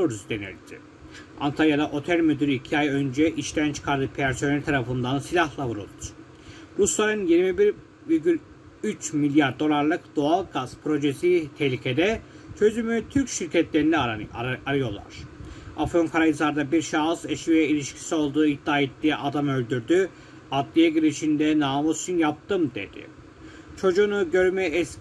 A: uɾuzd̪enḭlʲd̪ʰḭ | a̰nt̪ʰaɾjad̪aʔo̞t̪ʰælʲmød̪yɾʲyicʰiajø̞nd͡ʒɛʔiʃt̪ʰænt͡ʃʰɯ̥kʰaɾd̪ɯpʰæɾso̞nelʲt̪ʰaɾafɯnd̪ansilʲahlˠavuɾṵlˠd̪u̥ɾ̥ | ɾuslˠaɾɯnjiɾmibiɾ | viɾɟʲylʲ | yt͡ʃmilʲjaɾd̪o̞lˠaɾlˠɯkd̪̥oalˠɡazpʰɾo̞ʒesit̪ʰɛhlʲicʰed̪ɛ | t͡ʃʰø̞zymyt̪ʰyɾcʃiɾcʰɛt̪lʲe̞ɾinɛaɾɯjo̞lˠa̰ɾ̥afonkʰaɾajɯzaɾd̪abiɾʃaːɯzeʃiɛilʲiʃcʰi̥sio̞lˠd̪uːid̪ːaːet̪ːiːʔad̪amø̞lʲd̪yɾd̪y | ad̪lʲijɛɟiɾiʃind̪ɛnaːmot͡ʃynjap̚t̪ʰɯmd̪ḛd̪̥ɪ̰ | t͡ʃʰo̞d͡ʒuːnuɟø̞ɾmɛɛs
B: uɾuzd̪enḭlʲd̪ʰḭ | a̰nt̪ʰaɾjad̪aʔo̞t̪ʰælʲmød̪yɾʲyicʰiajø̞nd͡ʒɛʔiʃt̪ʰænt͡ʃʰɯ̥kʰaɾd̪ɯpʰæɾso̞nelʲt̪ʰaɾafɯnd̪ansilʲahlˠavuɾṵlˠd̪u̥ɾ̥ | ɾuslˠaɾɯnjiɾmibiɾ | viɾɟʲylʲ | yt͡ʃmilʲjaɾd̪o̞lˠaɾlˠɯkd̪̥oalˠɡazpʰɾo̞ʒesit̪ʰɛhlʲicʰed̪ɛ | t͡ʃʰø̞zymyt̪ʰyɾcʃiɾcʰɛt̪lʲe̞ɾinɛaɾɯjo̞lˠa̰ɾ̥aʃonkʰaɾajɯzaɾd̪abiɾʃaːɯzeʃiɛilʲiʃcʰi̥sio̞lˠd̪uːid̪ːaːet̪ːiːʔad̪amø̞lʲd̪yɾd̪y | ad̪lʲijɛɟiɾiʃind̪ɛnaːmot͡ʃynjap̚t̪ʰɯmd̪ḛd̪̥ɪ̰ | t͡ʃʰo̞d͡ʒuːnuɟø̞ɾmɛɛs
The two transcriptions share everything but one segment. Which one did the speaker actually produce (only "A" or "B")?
A